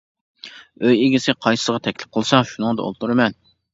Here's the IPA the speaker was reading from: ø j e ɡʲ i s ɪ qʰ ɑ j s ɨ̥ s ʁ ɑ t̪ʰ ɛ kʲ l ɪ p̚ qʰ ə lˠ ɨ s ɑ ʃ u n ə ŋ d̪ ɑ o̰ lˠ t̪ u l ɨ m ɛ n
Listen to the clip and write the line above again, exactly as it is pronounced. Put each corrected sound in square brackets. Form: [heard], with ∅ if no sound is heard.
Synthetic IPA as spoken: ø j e ɡʲ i s ɪ qʰ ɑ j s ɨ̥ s ʁ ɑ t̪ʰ ɛ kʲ l ɪ p̚ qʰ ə lˠ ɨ s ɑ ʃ u n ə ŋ d̪ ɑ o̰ lˠ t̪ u [ɾ] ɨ m ɛ n